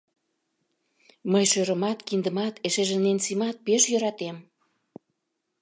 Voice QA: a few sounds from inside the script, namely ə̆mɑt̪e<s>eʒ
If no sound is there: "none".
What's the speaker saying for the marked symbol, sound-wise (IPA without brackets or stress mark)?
ʃ